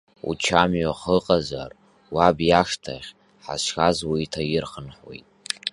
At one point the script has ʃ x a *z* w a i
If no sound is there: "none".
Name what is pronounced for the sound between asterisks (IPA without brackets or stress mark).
z